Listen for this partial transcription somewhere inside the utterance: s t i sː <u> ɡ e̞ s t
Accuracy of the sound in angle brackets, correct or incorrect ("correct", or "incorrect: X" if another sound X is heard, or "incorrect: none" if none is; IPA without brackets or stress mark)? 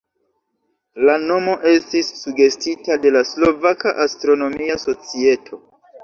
correct